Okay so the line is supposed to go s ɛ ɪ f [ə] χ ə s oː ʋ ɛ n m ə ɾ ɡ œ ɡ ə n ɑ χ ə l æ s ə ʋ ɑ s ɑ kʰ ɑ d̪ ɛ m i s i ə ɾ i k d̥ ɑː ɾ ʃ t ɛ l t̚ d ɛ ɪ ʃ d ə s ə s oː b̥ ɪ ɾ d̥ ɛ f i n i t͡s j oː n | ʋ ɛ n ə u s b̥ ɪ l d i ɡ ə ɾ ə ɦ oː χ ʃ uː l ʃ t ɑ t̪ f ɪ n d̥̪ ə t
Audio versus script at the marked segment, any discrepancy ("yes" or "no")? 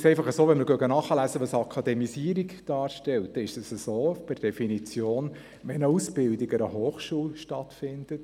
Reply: yes